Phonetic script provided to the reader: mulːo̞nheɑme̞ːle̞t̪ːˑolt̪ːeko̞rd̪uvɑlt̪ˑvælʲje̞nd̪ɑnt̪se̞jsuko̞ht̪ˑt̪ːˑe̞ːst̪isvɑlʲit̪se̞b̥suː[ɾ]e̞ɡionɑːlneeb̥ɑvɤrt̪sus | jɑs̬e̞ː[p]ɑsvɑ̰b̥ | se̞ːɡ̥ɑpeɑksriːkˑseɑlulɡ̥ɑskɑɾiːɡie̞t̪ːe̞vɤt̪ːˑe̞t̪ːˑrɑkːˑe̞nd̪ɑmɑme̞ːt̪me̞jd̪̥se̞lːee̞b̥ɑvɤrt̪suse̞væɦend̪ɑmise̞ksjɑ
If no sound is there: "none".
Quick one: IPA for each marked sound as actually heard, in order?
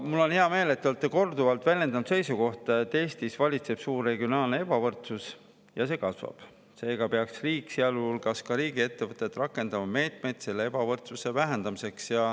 r, k

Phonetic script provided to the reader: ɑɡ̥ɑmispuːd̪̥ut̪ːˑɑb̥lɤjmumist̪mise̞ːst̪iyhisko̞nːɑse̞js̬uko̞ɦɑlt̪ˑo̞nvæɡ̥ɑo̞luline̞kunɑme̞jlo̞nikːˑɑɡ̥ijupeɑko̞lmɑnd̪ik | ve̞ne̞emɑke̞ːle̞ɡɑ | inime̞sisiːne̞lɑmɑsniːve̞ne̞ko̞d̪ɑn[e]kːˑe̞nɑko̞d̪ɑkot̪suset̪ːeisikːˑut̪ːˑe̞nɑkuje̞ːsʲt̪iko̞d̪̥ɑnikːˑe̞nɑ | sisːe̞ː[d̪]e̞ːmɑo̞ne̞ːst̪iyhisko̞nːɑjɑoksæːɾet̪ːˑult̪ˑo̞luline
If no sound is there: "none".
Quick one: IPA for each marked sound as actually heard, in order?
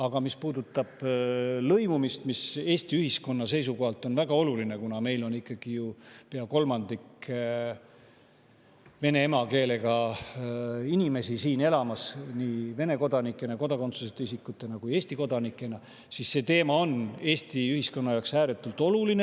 i, t̪

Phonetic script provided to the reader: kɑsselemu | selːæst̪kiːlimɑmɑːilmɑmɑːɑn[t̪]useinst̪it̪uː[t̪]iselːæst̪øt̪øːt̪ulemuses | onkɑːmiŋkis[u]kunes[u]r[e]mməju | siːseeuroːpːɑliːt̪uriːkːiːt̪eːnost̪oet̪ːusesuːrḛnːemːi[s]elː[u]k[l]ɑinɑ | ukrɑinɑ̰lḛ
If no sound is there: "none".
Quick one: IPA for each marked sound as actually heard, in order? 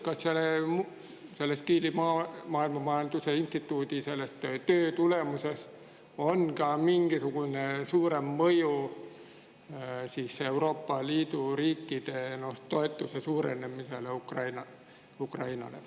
t̪, t̪, u, uː, e, s, u, r

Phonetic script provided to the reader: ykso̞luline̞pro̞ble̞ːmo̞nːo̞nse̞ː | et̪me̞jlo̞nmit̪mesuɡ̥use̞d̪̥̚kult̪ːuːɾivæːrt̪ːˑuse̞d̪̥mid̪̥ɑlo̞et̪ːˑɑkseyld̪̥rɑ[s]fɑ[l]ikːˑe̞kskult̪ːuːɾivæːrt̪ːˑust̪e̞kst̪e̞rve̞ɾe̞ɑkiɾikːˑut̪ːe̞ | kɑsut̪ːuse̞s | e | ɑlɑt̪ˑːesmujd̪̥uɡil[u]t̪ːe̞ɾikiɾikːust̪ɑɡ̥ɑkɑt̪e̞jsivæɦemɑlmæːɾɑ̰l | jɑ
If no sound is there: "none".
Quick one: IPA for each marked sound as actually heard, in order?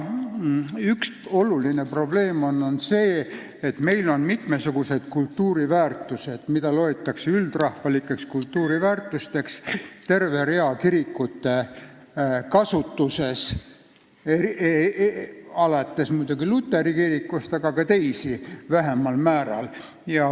h, l, u

